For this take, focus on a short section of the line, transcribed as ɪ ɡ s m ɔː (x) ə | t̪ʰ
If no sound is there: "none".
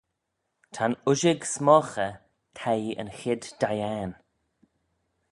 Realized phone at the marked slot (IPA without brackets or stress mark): x